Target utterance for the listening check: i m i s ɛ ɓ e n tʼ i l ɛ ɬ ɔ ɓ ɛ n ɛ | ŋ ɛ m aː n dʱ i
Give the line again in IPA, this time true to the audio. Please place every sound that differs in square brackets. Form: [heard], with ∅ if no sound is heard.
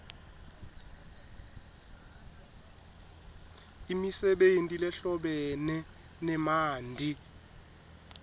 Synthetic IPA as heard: i m i s ɛ ɓ e n tʼ i l ɛ ɬ ɔ ɓ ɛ n ɛ | [n] ɛ m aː n dʱ i